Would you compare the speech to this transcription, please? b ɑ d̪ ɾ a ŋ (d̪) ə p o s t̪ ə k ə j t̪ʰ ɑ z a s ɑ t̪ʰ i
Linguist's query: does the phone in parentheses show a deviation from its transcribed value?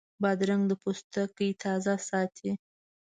no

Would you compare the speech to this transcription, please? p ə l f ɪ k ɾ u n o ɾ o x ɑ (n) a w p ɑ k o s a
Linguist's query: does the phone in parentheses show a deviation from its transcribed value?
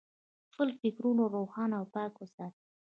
no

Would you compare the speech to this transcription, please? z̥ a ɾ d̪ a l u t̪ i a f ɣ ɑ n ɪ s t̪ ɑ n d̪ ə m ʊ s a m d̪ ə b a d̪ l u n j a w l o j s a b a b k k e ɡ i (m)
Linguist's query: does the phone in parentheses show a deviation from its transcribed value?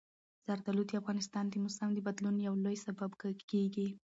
yes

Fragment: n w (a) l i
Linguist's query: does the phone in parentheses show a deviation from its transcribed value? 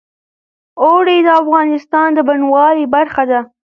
yes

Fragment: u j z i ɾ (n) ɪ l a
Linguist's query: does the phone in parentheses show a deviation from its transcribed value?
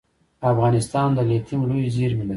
yes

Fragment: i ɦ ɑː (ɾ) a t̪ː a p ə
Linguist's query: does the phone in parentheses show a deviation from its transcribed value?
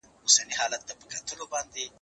yes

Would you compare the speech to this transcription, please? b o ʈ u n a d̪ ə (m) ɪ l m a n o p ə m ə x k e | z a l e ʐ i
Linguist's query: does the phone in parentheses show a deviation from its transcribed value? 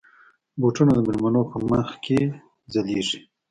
no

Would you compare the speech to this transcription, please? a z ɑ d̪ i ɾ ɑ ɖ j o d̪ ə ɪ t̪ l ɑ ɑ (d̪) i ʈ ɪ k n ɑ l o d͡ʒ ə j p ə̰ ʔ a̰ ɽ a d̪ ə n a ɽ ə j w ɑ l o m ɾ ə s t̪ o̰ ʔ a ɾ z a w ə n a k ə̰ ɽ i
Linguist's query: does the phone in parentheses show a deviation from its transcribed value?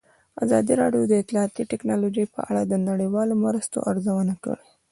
yes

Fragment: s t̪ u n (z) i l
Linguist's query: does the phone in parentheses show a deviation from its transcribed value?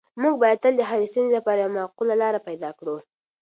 no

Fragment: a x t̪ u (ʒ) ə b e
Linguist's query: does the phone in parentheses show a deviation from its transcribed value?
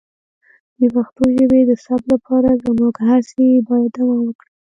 no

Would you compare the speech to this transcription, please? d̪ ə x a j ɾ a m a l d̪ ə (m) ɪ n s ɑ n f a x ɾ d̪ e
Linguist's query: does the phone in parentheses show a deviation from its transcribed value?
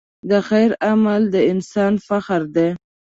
yes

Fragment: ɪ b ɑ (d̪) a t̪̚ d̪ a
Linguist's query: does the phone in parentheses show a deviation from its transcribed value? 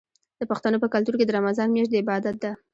no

